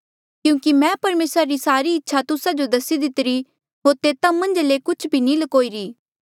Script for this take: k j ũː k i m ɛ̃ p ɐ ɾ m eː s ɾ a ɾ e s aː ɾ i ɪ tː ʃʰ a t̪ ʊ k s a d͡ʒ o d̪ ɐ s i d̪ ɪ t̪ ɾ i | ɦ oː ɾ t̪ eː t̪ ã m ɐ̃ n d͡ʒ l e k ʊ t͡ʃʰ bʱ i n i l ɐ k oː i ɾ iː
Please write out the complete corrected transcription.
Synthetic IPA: k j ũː k i m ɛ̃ p ɐ ɾ m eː s ɾ a ɾ i s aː ɾ i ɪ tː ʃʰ a t̪ ʊ s a d͡ʒ o d̪ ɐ s i d̪ ɪ t̪ ɾ i | ɦ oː ɾ t̪ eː t̪ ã m ɐ̃ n d͡ʒ l e k ʊ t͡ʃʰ bʱ i n i l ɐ k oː i ɾ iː